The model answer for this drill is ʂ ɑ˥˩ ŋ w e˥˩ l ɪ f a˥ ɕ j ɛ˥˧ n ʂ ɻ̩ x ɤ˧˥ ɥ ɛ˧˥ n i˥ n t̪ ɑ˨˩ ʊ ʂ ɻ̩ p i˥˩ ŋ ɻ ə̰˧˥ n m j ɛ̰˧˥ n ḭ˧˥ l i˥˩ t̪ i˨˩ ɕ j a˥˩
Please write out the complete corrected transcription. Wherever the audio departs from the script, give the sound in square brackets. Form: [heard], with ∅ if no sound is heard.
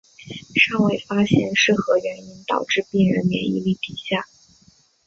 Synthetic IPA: ʂ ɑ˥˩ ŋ w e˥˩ [∅] ɪ f a˥ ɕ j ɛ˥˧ n ʂ ɻ̩ x ɤ˧˥ ɥ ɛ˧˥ n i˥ n t̪ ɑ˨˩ ʊ [ʈ͡ʂ] ɻ̩ p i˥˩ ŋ ɻ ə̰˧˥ n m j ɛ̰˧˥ n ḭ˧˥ l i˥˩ t̪ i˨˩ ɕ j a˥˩